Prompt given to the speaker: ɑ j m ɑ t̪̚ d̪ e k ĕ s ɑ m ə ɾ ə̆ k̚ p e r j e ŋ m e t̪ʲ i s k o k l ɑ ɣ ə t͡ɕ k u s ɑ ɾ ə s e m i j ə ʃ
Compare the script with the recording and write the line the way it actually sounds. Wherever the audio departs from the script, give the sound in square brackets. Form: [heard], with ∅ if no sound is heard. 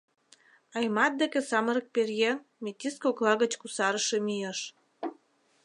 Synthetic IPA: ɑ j m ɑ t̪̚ d̪ e k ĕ s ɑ m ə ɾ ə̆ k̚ p e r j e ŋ m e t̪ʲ i s k o k l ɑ ɣ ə t͡ɕ k u s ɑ ɾ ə [ʃ] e m i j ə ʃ